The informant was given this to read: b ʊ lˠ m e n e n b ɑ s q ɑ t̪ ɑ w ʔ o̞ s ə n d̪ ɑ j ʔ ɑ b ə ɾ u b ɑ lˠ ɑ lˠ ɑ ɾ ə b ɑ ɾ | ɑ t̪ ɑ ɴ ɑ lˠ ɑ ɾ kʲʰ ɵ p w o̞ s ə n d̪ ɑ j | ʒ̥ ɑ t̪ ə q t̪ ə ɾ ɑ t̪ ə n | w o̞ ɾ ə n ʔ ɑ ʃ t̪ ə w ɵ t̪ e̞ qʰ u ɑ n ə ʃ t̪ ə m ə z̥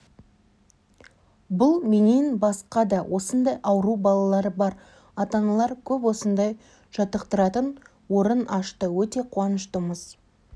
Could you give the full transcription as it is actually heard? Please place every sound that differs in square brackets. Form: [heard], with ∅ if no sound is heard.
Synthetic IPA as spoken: b ʊ lˠ m e n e n b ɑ s q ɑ [d̪] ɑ w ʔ o̞ s ə n d̪ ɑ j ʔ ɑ [w] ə ɾ u b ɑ lˠ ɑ lˠ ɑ ɾ ə b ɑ ɾ | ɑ t̪ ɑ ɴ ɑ lˠ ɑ ɾ kʲʰ ɵ p w o̞ s ə n d̪ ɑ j | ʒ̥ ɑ t̪ ə q t̪ ə ɾ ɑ t̪ ə n | w o̞ ɾ ə n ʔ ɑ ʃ t̪ ə w ɵ t̪ e̞ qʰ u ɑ n ə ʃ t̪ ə m ə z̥

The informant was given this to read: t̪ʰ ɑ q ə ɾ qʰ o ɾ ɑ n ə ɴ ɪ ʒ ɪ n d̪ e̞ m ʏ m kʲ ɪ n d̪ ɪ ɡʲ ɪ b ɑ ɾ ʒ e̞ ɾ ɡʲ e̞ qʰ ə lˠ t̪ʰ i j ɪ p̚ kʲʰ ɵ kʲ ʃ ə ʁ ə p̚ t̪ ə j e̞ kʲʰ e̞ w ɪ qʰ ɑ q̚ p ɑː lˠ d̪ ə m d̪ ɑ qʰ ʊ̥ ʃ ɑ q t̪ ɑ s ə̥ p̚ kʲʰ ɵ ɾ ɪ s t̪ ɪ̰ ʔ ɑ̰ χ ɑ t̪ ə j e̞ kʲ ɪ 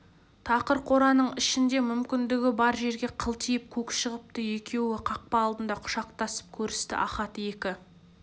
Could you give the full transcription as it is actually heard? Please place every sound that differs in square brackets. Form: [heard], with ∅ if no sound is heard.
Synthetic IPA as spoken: t̪ʰ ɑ q ə ɾ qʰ o ɾ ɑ n ə ɴ ɪ [ʃ] ɪ n d̪ e̞ m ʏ m kʲ ɪ n d̪ ɪ ɡʲ ɪ b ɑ ɾ ʒ e̞ ɾ ɡʲ e̞ qʰ ə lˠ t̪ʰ i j ɪ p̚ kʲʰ ɵ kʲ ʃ ə ʁ ə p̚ t̪ ə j e̞ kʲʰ e̞ w ɪ qʰ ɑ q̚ p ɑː lˠ d̪ ə [n] d̪ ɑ qʰ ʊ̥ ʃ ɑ q t̪ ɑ s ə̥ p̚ kʲʰ ɵ ɾ ɪ s t̪ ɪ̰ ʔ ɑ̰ χ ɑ t̪ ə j e̞ kʲ ɪ

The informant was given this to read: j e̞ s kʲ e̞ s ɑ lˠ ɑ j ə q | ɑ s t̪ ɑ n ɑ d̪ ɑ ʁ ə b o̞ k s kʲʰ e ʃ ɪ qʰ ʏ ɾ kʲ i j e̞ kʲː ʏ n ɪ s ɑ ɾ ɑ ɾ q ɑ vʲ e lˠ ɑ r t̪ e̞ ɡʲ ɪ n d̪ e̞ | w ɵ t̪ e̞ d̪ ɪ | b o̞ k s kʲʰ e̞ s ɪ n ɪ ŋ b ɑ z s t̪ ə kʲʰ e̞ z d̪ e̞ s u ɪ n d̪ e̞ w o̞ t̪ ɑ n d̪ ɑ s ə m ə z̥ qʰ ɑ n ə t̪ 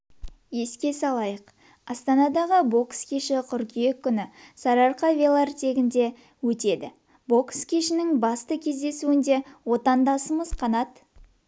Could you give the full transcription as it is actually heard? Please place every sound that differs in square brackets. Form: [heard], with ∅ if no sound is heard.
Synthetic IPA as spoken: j e̞ s kʲ e̞ s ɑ lˠ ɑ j ə q | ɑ s t̪ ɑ n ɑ d̪ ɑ ʁ ə b o̞ k s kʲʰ e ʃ ɪ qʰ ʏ ɾ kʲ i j e̞ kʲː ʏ n ɪ s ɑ ɾ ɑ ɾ q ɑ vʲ e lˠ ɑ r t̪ e̞ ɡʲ ɪ n d̪ e̞ | w ɵ t̪ e̞ d̪ ɪ | b o̞ k s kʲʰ e̞ [ʃ] ɪ n ɪ ŋ b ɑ [∅] s t̪ ə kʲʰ e̞ z d̪ e̞ s u ɪ n d̪ e̞ w o̞ t̪ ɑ n d̪ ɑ s ə m ə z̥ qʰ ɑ n [ɑ] t̪

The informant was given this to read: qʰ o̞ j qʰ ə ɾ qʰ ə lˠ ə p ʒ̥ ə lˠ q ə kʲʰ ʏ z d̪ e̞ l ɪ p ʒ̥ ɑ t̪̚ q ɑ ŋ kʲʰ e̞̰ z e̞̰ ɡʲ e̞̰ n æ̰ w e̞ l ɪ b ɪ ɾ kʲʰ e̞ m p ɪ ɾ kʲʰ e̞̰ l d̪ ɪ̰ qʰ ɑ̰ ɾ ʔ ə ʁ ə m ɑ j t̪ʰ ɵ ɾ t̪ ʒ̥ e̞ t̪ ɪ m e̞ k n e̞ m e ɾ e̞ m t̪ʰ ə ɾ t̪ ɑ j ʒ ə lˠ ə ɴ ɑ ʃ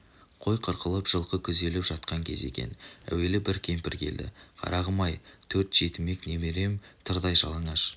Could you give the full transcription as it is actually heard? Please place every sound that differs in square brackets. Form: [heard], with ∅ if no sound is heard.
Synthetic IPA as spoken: qʰ o̞ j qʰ ə ɾ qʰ ə lˠ ə p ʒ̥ ə lˠ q ə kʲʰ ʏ z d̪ e̞ l ɪ p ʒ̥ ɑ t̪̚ q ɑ ŋ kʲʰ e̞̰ z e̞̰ [kʲ] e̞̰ n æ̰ w e̞ l ɪ b ɪ ɾ kʲʰ e̞ m p ɪ ɾ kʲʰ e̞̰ l d̪ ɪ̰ qʰ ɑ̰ ɾ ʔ [ɑ] ʁ ə m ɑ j t̪ʰ ɵ ɾ t̪ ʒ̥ e̞ t̪ ɪ m e̞ k n e̞ m e ɾ e̞ m t̪ʰ ə ɾ [d̪] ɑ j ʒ [ɑ] lˠ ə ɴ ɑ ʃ

